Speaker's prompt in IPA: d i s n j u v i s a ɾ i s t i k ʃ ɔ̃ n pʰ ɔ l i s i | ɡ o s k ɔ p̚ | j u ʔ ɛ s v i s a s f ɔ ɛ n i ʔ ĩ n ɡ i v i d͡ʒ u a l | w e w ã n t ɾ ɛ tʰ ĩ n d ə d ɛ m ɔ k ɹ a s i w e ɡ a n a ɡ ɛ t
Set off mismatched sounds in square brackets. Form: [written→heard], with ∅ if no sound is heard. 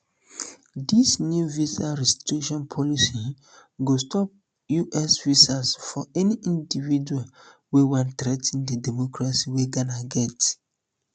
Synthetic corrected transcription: d i s n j u v i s a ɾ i s t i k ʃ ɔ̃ n pʰ ɔ l i s i | ɡ o s [k→t] ɔ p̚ | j u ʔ ɛ s v i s a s f ɔ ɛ n i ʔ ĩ n [ɡ→d] i v i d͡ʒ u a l | w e w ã n t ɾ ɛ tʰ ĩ n d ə d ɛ m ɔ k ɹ a s i w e ɡ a n a ɡ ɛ t